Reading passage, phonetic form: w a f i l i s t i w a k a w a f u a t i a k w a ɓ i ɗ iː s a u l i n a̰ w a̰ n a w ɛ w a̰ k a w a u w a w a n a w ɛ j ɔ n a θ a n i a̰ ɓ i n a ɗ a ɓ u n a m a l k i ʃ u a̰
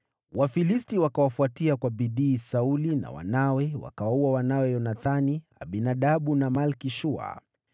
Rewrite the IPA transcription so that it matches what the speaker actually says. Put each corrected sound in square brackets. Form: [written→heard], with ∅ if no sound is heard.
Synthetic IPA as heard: w a f i l i s t i w a k a w a f u a t i a k w a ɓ i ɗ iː s a u l i n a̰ w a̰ n a w ɛ w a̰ k a w a u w a w a n a w ɛ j ɔ n a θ a n i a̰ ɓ i n a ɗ a ɓ u n a m a l k i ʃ u a̰